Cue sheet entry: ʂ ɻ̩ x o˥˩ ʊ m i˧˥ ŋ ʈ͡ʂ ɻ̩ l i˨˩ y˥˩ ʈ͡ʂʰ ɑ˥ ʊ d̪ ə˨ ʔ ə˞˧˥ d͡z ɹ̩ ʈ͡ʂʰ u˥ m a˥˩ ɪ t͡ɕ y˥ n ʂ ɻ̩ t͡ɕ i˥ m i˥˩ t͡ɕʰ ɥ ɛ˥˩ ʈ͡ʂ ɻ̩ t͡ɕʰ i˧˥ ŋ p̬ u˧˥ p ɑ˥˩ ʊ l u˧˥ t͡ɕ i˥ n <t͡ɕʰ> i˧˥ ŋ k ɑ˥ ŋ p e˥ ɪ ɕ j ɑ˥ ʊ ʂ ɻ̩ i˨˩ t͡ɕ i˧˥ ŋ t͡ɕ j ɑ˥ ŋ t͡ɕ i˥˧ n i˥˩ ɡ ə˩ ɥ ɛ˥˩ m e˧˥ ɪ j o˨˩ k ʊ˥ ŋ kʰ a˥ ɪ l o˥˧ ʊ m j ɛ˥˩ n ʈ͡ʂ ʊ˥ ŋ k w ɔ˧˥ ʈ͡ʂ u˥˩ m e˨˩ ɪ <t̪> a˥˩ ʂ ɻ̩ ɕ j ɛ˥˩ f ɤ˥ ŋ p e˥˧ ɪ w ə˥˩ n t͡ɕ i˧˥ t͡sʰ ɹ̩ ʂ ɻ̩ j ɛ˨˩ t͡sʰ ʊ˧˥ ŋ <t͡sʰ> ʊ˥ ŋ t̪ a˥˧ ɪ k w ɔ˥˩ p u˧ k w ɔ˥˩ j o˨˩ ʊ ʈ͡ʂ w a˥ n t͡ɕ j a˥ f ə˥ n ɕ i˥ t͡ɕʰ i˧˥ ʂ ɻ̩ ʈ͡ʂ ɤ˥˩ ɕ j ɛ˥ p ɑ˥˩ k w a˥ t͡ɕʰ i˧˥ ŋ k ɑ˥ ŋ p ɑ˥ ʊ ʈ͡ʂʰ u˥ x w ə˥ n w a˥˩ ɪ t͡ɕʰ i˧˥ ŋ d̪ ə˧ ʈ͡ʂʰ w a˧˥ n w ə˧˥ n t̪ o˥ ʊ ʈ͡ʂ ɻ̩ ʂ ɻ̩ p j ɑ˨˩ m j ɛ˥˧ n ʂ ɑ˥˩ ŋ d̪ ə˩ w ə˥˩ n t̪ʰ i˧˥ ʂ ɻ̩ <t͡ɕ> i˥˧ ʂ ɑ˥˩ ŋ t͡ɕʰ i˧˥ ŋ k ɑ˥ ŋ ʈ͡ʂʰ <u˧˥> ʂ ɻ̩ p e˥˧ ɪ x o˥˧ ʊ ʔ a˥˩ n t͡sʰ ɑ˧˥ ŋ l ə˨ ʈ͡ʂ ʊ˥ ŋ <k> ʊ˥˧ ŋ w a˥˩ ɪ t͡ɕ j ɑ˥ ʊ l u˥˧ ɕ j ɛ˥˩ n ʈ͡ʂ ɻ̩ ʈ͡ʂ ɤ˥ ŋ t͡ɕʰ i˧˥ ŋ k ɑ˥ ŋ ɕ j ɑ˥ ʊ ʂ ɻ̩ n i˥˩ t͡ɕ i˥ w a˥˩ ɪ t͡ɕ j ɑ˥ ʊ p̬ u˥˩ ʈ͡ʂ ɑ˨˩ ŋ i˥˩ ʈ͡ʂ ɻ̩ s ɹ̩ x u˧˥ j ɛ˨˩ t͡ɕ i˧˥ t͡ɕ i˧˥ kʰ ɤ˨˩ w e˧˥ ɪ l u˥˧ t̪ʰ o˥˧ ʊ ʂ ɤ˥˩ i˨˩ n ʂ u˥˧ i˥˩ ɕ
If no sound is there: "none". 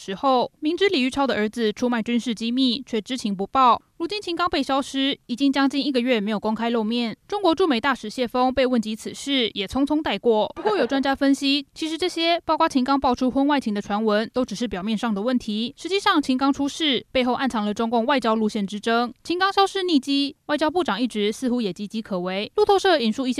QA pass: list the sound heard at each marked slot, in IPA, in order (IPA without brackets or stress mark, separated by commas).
t͡ɕʰ, t̪, t͡sʰ, t͡ɕ, u˥, k